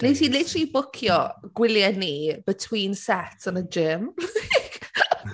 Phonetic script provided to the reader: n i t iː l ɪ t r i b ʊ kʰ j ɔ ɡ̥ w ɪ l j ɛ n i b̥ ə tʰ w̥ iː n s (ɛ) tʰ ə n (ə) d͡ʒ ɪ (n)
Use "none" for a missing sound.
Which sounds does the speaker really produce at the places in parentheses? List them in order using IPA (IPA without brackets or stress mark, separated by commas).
ɛ, ə, m